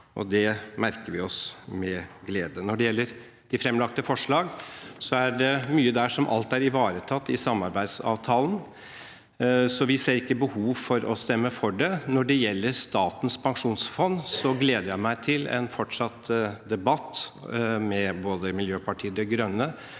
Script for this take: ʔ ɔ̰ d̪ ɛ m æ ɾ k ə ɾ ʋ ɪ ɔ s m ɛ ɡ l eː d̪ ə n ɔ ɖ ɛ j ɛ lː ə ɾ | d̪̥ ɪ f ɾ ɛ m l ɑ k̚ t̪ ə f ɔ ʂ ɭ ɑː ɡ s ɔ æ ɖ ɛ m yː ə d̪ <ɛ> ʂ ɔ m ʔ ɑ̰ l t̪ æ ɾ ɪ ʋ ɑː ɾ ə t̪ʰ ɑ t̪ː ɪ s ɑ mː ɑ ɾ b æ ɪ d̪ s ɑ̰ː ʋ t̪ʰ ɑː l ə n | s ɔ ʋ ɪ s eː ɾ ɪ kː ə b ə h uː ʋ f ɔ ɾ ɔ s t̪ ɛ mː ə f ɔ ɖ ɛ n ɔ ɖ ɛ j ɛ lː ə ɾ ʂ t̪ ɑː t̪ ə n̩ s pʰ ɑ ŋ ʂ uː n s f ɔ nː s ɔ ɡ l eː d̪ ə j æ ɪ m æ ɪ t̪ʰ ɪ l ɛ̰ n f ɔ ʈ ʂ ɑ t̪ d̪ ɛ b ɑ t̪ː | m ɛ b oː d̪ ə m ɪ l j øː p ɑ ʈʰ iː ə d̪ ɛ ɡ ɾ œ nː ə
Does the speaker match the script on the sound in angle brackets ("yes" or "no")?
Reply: no